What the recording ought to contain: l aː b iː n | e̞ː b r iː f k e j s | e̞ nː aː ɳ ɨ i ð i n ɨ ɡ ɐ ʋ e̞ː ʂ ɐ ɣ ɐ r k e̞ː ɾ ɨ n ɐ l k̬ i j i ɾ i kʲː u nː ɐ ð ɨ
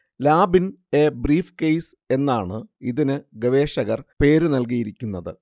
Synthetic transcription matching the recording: l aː b i n | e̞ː b r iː f k e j s | e̞ nː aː ɳ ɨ i ð i n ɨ ɡ ɐ ʋ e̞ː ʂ ɐ ɣ ɐ r p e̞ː ɾ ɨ n ɐ l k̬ i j i ɾ i kʲː u nː ɐ ð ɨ